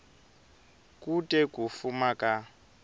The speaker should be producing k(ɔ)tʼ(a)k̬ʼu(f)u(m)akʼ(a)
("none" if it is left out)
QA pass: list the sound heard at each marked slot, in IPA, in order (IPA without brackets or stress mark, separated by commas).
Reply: u, ɛ, f, m, a